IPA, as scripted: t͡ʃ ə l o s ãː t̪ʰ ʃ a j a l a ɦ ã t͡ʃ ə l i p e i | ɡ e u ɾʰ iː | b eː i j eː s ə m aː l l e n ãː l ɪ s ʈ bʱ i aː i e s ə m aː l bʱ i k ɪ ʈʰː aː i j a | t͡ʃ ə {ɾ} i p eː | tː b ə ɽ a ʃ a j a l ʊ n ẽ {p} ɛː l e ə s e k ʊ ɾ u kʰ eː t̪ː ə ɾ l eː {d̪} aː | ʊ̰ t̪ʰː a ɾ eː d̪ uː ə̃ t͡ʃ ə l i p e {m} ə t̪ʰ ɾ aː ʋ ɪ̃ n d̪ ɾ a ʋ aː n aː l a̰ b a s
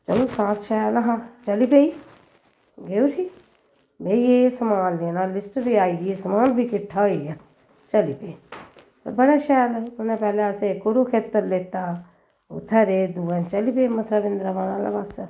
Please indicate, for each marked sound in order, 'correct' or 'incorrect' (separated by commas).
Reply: incorrect, correct, incorrect, correct